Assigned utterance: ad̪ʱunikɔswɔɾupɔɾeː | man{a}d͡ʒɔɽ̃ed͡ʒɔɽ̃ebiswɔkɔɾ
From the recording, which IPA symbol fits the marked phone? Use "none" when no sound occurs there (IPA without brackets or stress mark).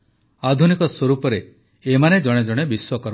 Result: e